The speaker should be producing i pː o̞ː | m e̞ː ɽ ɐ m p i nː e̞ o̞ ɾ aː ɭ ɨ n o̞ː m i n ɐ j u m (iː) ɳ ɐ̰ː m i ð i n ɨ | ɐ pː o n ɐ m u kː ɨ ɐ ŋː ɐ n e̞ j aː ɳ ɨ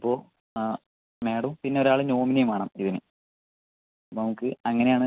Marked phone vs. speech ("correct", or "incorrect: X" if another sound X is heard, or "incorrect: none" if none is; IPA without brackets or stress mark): incorrect: aː